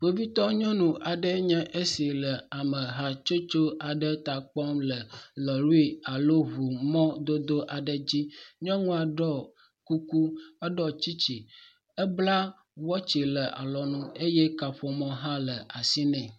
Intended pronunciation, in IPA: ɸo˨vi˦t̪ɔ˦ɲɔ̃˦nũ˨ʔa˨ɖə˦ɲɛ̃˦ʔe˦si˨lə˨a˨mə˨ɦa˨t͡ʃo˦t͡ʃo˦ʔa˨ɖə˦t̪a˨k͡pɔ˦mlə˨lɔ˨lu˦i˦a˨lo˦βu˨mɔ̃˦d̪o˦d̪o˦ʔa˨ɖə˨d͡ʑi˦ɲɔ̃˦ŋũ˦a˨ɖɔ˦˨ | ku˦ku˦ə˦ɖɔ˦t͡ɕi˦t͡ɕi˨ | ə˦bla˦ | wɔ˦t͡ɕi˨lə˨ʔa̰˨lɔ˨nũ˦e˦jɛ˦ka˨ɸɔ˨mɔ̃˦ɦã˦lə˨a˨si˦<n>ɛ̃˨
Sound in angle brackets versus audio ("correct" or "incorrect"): correct